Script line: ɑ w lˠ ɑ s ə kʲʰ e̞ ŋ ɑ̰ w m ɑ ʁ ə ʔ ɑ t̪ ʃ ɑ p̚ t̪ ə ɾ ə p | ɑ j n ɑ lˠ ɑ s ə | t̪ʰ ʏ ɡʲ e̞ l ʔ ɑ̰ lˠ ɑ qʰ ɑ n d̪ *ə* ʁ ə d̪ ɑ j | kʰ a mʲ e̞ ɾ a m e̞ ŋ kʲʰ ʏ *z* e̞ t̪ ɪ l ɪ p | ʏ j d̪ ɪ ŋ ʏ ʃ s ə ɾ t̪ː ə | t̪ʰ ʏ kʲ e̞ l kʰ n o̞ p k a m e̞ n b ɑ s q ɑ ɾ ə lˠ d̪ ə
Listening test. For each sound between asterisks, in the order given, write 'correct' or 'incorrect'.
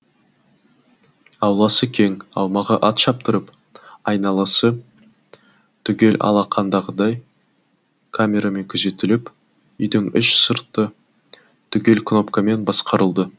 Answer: incorrect, correct

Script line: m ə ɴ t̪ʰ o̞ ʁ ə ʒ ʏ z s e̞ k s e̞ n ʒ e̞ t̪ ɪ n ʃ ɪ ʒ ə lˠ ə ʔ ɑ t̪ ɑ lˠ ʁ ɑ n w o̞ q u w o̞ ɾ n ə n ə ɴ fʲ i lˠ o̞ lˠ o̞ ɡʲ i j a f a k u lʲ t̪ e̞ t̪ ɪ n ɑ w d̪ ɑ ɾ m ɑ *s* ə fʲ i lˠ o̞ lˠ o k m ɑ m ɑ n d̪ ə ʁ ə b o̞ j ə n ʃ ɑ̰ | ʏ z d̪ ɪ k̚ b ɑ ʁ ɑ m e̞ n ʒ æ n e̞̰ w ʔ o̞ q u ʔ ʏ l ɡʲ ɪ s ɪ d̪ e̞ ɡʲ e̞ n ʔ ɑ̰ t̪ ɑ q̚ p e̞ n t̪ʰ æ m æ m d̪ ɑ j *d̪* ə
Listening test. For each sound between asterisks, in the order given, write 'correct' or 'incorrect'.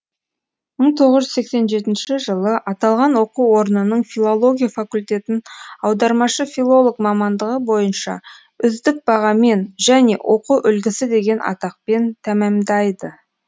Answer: incorrect, correct

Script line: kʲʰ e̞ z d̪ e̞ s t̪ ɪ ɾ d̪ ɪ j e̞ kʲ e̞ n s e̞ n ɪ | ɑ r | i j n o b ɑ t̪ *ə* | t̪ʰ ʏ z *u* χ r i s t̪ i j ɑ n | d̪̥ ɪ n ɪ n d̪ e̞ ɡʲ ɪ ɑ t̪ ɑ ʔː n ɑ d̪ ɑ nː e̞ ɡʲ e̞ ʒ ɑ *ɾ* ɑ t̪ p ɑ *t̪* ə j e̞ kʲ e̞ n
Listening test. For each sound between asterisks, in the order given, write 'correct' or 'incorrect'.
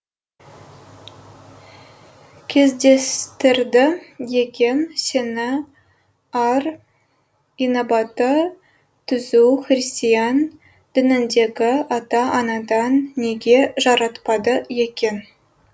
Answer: correct, correct, correct, incorrect

